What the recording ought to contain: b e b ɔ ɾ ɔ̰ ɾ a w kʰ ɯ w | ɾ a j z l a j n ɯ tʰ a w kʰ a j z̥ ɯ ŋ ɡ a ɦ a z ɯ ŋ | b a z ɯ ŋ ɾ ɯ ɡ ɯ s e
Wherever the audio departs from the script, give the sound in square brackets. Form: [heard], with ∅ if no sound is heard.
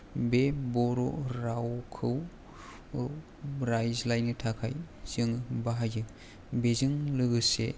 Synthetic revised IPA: b e b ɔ ɾ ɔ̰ ɾ a w kʰ ɯ w | ɾ a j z l a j n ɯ tʰ a [∅] kʰ a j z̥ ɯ ŋ [b] a ɦ a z ɯ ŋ | b [e] z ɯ ŋ [l] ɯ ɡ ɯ s e